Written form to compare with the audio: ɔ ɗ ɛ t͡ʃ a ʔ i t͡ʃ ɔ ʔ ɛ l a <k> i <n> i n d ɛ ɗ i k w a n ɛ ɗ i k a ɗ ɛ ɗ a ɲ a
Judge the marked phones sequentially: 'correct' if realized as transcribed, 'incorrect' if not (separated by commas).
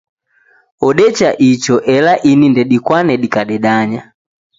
incorrect, correct